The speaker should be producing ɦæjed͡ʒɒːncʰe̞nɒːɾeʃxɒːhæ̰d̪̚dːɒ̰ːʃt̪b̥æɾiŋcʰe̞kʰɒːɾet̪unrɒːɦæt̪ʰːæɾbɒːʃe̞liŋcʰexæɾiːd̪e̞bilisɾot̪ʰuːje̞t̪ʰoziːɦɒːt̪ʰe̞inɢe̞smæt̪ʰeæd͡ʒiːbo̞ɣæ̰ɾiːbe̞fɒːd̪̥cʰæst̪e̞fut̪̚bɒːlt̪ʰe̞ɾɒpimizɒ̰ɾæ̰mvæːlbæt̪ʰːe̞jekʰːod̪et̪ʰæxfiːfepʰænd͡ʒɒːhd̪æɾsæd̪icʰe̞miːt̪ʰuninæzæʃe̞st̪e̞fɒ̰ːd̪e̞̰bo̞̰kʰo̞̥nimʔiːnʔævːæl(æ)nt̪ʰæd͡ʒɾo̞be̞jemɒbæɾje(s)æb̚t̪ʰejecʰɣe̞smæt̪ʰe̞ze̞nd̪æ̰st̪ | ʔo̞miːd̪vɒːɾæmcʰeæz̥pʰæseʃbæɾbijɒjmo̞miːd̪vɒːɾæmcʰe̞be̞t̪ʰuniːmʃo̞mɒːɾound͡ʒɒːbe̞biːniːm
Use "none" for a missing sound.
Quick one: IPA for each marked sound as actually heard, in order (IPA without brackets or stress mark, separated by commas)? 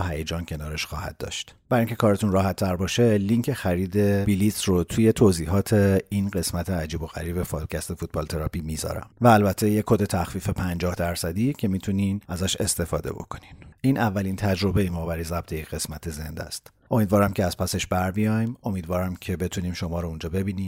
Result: i, z